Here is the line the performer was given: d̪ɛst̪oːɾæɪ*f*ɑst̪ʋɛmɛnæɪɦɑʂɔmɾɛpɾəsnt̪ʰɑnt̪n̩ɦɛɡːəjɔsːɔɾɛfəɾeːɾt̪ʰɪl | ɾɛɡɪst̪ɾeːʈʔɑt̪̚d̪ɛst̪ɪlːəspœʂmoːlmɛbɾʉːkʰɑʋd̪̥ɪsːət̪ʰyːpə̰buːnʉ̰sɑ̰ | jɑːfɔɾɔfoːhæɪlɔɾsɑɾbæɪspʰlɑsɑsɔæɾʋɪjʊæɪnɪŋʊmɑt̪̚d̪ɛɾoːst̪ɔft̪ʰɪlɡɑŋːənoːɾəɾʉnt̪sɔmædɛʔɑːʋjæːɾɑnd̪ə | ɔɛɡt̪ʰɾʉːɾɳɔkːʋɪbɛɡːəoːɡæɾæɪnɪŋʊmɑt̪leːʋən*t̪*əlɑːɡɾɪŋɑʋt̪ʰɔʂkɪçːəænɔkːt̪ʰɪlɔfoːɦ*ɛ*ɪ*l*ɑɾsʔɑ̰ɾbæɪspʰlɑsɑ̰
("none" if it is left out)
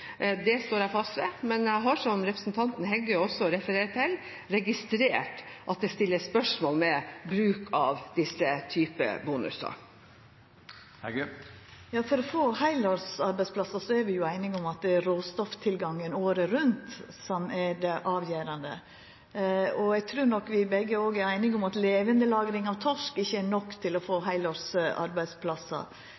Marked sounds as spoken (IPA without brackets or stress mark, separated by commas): f, d̪, æ, l